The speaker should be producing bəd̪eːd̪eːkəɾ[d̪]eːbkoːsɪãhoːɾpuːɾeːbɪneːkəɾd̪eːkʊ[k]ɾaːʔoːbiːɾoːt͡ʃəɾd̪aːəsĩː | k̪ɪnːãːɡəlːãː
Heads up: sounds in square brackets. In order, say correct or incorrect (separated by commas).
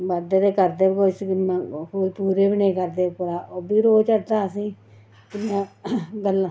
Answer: correct, incorrect